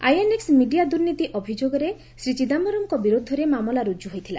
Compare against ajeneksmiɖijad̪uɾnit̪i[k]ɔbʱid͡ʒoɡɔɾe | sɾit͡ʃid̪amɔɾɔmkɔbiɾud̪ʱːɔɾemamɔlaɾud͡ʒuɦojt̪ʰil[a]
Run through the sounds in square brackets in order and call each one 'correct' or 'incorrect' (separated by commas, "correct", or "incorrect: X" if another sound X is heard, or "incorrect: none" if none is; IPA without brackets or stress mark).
incorrect: ʔ, correct